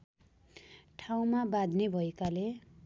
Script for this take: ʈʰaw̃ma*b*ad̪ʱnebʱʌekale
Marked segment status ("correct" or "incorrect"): correct